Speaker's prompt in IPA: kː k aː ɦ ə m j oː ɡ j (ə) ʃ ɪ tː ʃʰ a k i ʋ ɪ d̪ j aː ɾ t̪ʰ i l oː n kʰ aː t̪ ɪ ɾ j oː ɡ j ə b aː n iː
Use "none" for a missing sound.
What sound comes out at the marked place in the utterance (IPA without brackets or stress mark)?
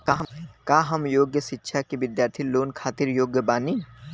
ə